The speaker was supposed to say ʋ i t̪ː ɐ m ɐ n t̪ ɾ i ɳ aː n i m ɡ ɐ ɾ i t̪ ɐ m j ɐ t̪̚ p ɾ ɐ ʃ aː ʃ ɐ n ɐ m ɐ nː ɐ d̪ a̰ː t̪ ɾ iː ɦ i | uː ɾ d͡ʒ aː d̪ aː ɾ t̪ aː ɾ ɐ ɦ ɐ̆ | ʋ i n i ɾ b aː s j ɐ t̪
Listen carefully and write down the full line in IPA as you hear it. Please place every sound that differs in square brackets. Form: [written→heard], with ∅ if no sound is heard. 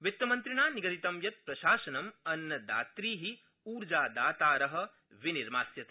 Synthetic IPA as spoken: ʋ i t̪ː ɐ m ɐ n t̪ ɾ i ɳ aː n i [m→∅] ɡ ɐ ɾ i t̪ ɐ m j ɐ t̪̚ p ɾ ɐ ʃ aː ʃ ɐ n ɐ m ɐ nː ɐ d̪ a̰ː t̪ ɾ iː ɦ i | uː ɾ d͡ʒ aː d̪ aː [ɾ→∅] t̪ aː ɾ ɐ ɦ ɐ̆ | ʋ i n i ɾ [b→m] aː s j ɐ t̪